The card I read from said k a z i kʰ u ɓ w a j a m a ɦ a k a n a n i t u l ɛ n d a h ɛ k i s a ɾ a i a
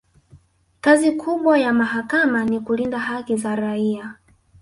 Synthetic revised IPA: k a z i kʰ u ɓ w a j a m a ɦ a k a m a n i k u l i n d a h a k i z a ɾ a i a